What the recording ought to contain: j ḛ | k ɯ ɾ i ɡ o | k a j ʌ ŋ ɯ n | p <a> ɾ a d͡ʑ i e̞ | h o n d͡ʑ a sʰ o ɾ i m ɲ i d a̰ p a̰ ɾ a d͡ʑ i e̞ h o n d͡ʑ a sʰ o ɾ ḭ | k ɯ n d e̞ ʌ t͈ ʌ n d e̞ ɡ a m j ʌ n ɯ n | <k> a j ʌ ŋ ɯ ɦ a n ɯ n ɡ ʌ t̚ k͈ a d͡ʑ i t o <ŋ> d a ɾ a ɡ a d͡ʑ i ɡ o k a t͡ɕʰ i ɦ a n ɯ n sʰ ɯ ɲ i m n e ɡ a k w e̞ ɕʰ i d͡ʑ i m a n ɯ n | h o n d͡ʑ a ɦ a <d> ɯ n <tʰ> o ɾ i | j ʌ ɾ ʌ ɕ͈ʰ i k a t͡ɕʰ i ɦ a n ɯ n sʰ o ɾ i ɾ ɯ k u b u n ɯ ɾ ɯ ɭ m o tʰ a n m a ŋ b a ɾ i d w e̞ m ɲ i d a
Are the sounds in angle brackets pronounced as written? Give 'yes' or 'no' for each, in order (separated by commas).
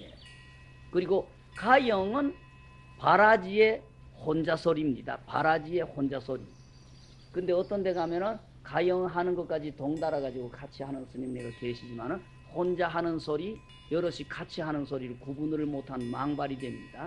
yes, yes, yes, no, no